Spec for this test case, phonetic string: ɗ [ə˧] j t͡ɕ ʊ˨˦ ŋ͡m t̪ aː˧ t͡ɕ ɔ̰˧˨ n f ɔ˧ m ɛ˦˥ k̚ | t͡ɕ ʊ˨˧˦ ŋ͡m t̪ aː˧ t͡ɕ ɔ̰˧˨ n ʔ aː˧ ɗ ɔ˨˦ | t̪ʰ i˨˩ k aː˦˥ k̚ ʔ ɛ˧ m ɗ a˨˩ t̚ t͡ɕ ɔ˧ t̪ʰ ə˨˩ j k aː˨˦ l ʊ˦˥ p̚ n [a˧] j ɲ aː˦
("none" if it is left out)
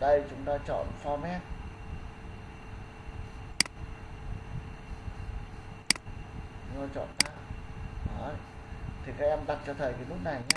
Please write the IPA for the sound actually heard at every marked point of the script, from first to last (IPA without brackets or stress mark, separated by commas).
ə˧, a˨˩